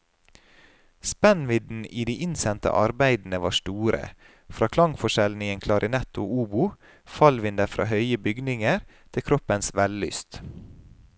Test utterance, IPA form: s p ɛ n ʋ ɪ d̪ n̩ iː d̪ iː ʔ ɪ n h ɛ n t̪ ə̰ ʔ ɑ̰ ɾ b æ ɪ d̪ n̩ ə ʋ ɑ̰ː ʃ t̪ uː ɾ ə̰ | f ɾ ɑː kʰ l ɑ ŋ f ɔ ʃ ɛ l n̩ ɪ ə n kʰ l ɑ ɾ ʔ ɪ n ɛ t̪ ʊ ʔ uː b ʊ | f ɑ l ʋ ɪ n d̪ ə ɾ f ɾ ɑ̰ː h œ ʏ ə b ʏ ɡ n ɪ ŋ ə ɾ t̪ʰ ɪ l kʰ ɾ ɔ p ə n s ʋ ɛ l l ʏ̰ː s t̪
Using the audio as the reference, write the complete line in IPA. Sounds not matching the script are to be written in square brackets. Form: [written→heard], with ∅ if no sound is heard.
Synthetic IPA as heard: s p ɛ n ʋ ɪ d̪ n̩ iː d̪ iː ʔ ɪ n [h→s] ɛ n t̪ ə̰ ʔ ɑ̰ ɾ b æ ɪ d̪ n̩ ə ʋ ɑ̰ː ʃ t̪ uː ɾ ə̰ | f ɾ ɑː kʰ l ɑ ŋ f ɔ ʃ ɛ l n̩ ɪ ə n kʰ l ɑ ɾ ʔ ɪ n ɛ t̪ ʊ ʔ uː b ʊ | f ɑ l ʋ ɪ n d̪ ə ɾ f ɾ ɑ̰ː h œ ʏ ə b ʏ ɡ n ɪ ŋ ə ɾ t̪ʰ ɪ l kʰ ɾ ɔ p ə n s ʋ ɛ l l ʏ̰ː s t̪